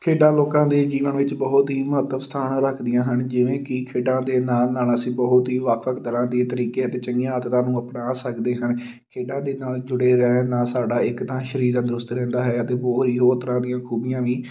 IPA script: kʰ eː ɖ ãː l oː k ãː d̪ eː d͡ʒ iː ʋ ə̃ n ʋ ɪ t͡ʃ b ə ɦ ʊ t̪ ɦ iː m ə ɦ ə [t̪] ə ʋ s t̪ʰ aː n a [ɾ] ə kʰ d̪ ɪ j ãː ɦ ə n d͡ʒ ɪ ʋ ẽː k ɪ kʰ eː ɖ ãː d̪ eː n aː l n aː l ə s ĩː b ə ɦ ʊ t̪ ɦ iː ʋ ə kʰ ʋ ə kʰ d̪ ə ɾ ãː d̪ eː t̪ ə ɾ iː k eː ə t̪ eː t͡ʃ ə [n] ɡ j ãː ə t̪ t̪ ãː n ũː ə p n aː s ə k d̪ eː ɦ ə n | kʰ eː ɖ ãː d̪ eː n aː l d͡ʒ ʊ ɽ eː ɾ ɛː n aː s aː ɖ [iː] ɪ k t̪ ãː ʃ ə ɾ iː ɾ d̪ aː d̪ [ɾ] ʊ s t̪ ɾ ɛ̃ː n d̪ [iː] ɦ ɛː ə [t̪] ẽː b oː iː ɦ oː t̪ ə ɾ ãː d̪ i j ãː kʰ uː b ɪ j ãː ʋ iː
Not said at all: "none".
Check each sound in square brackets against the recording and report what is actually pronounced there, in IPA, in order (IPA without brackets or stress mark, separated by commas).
t̪, ɾ, ŋ, aː, ɾ, aː, t̪